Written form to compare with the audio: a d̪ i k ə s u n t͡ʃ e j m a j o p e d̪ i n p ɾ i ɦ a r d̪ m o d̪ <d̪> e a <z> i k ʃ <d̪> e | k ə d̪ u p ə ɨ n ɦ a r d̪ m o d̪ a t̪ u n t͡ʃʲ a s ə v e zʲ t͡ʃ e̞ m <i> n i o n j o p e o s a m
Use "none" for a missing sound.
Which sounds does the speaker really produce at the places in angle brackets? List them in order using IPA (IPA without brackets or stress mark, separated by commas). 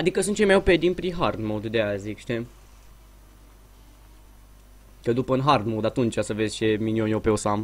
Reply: d̪, z, t̪, i